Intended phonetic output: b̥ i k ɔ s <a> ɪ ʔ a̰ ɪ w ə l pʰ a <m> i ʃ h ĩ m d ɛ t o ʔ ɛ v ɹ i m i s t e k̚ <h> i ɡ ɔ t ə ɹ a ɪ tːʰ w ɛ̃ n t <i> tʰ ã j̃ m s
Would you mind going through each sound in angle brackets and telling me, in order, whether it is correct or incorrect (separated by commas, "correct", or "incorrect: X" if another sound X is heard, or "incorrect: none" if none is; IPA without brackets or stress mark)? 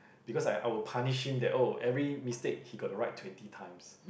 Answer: correct, incorrect: n, correct, correct